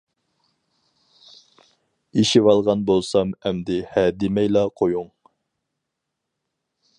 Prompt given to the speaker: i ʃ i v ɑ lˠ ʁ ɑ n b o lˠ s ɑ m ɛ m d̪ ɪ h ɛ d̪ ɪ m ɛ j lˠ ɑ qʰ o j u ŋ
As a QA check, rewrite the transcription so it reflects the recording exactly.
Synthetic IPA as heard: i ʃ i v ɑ lˠ ʁ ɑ n b o lˠ s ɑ m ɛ m d̪ ɪ h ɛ d̪ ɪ m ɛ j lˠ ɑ qʰ o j u ŋ

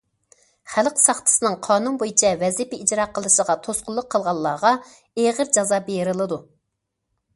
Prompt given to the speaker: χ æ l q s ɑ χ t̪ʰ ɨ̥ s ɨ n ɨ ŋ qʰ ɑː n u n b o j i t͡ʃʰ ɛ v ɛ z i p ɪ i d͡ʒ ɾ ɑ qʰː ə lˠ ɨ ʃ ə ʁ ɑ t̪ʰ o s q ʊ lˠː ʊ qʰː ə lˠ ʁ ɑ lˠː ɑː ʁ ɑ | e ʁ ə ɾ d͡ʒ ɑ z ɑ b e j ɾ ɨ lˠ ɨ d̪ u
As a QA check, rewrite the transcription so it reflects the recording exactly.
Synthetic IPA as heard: χ æ l q s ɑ χ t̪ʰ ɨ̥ s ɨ n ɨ ŋ qʰ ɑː n u n b o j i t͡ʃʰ ɛ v ɛ z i p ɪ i d͡ʒ ɾ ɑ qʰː ə lˠ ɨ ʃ ə ʁ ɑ t̪ʰ o s q ʊ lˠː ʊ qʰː ə lˠ ʁ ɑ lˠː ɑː ʁ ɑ | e ʁ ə ɾ d͡ʒ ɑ z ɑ b e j ɾ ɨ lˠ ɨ d̪ u

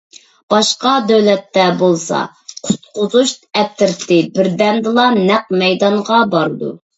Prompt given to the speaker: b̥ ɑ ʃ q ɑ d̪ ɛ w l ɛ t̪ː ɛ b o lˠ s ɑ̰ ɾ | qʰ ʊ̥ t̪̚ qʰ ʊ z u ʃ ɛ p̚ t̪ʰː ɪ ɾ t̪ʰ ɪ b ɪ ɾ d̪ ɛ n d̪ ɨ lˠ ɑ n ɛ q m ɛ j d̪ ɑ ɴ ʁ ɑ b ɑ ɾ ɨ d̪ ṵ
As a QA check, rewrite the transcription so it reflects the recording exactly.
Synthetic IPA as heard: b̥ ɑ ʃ q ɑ d̪ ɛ w l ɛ t̪ː ɛ b o lˠ s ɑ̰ | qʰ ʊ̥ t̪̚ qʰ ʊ z u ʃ ɛ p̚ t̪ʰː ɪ ɾ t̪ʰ ɪ b ɪ ɾ d̪ ɛ n d̪ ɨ lˠ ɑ n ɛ q m ɛ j d̪ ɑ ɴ ʁ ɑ b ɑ ɾ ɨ d̪ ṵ

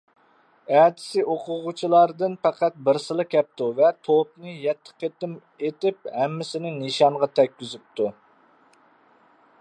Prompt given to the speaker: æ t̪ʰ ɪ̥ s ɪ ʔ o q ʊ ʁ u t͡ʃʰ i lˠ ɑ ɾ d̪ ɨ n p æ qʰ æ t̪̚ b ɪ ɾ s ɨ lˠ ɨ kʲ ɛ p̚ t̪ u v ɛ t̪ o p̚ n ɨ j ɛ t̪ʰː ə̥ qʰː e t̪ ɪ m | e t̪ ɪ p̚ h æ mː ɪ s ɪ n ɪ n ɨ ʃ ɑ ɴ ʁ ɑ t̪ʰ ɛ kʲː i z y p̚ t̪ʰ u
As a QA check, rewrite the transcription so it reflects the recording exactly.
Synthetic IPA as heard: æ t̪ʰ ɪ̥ s ɪ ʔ o q ʊ ʁ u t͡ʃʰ i lˠ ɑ ɾ d̪ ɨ n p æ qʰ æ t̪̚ b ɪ ɾ s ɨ lˠ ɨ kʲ ɛ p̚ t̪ u v ɛ t̪ʰ o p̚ n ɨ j ɛ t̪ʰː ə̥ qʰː e t̪ ɪ m | e t̪ ɪ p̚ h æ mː ɪ s ɪ n ɪ n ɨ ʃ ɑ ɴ ʁ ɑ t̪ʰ ɛ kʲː y z y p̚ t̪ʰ u

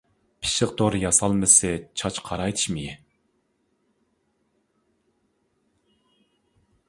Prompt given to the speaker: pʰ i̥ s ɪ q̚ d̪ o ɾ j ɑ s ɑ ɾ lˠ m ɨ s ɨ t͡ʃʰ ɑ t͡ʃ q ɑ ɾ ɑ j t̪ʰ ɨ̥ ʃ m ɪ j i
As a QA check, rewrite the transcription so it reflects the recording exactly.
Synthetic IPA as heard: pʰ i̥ ʃ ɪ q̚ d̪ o ɾ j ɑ s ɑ lˠ m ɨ s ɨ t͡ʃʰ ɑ t͡ʃ qʰ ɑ ɾ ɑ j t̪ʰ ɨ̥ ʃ m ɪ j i

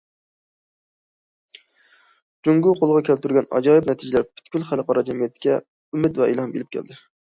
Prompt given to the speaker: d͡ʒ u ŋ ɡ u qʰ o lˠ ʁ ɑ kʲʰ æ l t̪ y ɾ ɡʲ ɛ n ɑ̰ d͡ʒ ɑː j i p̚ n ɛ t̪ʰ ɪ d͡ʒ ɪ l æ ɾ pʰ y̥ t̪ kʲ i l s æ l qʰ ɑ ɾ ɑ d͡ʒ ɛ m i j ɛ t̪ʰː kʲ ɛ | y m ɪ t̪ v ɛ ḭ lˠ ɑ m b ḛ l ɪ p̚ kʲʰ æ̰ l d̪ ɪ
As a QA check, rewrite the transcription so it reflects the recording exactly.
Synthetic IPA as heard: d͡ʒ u ŋ ɡ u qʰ o lˠ ʁ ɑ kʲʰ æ l t̪ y ɾ ɡʲ ɛ n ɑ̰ d͡ʒ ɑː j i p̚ n ɛ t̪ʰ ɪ d͡ʒ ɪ l æ ɾ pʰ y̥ t̪ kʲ y l χ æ l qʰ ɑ ɾ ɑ d͡ʒ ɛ m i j ɛ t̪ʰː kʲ ɛ | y m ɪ t̪ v ɛ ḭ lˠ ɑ m b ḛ l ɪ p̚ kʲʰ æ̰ l d̪ ɪ

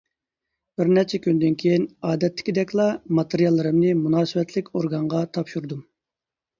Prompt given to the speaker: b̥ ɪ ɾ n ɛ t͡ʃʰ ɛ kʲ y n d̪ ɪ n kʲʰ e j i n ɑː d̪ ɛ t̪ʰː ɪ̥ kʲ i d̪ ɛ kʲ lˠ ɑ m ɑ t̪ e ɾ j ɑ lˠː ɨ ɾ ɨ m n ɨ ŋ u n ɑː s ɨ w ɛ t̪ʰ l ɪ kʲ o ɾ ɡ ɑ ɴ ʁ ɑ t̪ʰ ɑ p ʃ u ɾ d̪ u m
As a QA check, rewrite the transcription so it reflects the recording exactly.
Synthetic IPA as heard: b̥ ɪ ɾ n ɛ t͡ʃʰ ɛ kʲ y n d̪ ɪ n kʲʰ e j i n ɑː d̪ ɛ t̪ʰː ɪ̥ kʲ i d̪ ɛ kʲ lˠ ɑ m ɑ t̪ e ɾ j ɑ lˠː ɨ ɾ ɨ m n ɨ m u n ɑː s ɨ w ɛ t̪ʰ l ɪ kʲ o ɾ ɡ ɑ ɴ ʁ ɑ t̪ʰ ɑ p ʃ u ɾ d̪ u m

